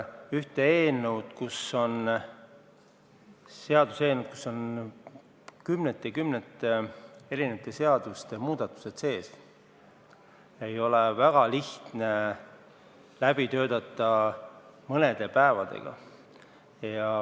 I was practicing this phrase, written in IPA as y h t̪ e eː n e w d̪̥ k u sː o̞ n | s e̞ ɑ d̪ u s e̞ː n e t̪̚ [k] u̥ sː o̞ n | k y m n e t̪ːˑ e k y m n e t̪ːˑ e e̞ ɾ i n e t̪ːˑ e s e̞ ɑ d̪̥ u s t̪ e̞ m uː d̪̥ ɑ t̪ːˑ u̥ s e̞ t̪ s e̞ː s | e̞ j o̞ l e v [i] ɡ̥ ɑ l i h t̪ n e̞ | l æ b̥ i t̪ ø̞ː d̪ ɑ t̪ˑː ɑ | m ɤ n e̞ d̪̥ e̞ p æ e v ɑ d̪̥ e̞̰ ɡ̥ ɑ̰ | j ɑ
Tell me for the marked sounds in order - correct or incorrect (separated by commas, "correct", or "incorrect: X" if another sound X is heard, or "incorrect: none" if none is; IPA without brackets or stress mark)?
correct, incorrect: æ